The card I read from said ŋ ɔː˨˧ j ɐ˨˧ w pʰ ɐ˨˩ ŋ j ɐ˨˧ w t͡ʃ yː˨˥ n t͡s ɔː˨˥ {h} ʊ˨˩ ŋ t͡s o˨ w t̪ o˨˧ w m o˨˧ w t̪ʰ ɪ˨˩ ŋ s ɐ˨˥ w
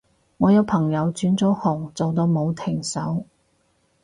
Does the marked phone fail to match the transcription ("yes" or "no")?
no